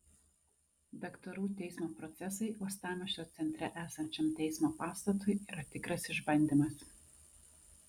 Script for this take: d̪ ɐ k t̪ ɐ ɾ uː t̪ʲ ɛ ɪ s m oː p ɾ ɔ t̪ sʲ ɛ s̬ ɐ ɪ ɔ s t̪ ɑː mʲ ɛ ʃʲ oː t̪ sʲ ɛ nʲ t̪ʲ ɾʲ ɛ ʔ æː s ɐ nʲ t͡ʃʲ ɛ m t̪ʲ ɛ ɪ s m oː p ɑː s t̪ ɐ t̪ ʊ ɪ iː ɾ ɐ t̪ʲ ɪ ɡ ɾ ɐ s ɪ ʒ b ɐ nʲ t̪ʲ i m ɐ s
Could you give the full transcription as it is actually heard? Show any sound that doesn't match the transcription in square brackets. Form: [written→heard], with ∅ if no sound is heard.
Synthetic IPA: d̪ ɐ k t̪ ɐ ɾ uː t̪ʲ ɛ ɪ s m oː p ɾ ɔ t̪ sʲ ɛ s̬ ɐ ɪ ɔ s t̪ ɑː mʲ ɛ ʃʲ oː t̪ sʲ ɛ nʲ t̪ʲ ɾʲ ɛ ʔ æː s ɐ nʲ t͡ʃʲ ɛ m t̪ʲ ɛ ɪ s m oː p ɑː s t̪ ɐ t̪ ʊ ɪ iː ɾ ɐ t̪ʲ ɪ [ɡ→k] ɾ ɐ s ɪ ʒ b ɐ nʲ [t̪ʲ→d̪ʲ] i m ɐ s